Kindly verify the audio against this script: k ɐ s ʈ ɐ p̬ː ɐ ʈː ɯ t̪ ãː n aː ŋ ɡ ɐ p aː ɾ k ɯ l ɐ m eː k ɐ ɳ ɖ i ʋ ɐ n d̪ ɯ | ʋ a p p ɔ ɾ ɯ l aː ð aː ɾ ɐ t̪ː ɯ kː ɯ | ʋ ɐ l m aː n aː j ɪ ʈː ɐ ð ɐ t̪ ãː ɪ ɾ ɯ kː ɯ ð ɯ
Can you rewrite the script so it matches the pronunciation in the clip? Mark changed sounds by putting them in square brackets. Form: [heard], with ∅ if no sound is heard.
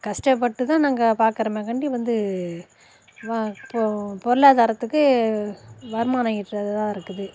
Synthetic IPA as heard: k ɐ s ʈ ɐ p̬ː ɐ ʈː ɯ t̪ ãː n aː ŋ ɡ ɐ p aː ɾ k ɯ [ɾ] ɐ m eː k ɐ ɳ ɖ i ʋ ɐ n d̪ ɯ | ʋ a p p ɔ ɾ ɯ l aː ð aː ɾ ɐ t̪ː ɯ kː ɯ | ʋ ɐ [ɾ] m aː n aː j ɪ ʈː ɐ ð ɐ t̪ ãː ɪ ɾ ɯ kː ɯ ð ɯ